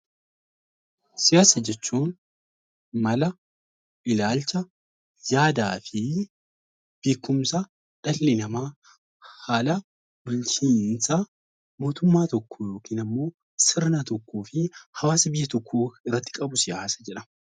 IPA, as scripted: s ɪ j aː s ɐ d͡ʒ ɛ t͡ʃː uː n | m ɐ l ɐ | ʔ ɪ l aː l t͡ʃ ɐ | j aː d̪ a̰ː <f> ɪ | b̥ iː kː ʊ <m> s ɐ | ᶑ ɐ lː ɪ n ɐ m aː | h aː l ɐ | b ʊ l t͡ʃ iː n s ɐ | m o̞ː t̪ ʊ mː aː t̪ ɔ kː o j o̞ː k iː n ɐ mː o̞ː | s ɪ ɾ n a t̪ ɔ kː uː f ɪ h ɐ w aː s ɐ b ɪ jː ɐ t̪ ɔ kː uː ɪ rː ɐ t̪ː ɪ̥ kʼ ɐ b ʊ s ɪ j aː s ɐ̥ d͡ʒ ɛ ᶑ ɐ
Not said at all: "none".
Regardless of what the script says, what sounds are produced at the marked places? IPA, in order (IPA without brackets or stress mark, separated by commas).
f, m